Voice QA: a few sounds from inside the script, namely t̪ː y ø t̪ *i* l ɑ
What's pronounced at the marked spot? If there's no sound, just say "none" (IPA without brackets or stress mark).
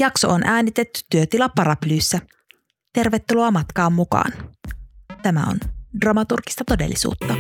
i